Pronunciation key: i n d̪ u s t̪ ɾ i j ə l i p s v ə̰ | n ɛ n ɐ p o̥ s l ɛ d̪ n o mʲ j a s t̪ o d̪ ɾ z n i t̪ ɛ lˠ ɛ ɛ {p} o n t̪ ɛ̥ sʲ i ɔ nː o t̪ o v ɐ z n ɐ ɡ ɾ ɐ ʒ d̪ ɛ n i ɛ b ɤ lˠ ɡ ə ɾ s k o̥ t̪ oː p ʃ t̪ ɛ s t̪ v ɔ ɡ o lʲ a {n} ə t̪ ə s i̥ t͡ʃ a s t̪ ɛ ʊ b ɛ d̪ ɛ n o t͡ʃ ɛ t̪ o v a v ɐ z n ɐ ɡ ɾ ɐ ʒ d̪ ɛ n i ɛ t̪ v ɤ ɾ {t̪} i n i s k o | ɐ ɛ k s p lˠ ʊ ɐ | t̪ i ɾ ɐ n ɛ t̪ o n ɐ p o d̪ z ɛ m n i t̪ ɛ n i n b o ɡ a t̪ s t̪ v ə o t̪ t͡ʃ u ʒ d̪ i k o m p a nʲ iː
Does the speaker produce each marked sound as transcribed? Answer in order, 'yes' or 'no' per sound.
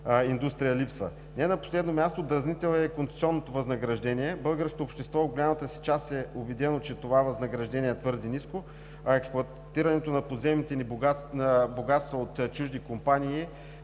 no, no, no

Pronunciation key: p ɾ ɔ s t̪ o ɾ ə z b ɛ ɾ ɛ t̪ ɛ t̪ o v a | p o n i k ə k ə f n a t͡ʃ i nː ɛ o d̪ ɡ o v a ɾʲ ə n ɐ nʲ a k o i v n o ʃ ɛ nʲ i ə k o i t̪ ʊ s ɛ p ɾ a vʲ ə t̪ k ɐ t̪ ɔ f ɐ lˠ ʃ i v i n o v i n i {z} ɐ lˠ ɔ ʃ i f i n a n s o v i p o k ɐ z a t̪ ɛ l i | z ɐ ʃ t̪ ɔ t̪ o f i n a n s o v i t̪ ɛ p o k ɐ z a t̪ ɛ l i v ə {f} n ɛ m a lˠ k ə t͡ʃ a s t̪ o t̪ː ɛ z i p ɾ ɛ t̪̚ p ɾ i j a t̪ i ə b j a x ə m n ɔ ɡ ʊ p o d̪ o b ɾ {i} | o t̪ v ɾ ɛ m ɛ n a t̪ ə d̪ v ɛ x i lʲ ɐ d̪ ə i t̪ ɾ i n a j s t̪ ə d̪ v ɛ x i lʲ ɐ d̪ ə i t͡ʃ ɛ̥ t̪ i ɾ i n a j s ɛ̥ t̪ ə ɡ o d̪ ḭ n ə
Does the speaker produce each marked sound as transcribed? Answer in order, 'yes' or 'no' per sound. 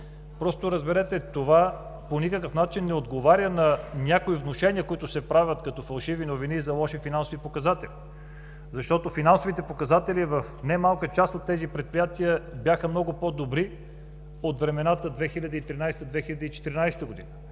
yes, yes, yes

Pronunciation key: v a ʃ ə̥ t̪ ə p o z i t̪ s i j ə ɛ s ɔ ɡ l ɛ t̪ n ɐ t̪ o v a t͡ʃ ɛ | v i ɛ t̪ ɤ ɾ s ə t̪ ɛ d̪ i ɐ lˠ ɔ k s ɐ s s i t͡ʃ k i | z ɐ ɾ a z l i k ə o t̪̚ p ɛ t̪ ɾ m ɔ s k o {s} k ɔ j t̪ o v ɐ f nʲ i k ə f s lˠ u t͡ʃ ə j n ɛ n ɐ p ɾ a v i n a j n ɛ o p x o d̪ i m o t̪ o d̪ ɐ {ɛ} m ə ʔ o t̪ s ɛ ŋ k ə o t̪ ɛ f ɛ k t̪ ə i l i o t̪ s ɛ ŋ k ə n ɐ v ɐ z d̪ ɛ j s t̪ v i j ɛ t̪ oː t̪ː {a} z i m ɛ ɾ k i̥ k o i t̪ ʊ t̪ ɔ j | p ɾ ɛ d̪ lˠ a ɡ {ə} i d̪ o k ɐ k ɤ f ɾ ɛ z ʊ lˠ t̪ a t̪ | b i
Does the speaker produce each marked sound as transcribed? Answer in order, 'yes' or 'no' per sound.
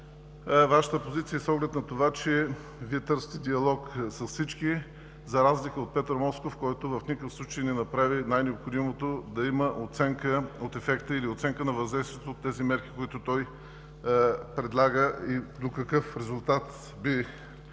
no, no, no, yes

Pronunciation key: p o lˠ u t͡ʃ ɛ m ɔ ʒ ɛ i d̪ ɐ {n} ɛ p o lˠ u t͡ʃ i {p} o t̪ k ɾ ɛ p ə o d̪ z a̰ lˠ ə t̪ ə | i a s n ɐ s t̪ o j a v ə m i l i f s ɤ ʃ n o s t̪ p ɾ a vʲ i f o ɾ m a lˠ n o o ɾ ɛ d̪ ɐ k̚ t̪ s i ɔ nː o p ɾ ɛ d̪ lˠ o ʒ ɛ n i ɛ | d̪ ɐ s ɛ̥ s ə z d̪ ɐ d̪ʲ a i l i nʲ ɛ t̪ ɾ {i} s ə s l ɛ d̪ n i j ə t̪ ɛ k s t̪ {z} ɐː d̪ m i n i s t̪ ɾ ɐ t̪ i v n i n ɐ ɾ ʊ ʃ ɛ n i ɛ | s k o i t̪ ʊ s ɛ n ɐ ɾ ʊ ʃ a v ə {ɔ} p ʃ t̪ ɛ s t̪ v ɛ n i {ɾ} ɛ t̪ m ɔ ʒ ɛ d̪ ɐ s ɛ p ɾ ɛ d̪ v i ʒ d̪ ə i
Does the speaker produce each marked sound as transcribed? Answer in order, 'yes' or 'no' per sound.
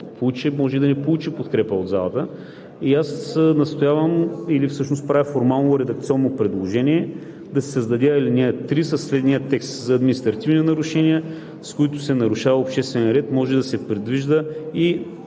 yes, yes, yes, yes, no, yes

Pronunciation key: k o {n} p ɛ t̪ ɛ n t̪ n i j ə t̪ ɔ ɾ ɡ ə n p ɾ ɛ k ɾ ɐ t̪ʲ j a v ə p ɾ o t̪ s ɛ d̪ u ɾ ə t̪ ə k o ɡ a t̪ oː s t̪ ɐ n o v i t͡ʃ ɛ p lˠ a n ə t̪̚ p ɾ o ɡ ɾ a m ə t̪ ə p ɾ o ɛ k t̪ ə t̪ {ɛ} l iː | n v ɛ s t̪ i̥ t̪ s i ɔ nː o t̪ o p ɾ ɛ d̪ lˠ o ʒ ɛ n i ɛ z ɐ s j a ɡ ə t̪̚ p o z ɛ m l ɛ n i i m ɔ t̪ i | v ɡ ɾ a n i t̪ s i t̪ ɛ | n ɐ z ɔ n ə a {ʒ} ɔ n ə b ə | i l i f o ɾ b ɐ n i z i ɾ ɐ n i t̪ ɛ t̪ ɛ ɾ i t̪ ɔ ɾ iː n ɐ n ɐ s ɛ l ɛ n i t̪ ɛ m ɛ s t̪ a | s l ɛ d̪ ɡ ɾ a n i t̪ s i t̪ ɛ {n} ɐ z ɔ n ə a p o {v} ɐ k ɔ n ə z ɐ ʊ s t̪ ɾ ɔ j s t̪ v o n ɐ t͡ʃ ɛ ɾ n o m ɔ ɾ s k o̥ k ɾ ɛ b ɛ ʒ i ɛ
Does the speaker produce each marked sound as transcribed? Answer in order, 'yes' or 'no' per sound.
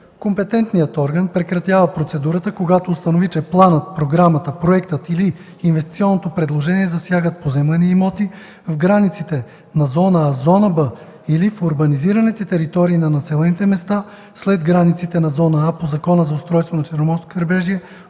no, no, no, yes, no

